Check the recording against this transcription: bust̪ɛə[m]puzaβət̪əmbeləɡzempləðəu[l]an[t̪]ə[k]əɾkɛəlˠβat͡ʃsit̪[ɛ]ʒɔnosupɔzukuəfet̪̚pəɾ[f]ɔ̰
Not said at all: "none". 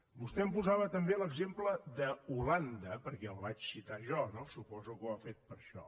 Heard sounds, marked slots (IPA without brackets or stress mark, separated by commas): m, l, d̪, p, a, ʃ